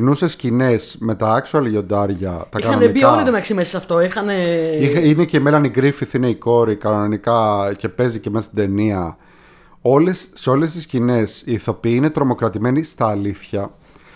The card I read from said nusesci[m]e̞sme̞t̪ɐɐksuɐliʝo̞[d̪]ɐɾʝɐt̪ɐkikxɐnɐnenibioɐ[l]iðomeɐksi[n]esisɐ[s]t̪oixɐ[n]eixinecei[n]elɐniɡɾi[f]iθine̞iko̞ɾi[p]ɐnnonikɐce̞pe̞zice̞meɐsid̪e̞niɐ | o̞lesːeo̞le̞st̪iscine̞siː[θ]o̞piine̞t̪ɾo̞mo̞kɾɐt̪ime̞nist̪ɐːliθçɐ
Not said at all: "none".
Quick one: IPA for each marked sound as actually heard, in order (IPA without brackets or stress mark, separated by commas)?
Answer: n, d̪, l, m, f, n, m, f, k, θ